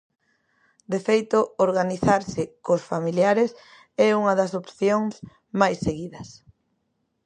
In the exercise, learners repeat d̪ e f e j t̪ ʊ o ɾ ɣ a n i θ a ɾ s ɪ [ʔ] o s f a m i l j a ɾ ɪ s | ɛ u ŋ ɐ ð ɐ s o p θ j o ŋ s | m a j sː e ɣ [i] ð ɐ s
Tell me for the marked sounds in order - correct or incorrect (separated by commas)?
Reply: incorrect, correct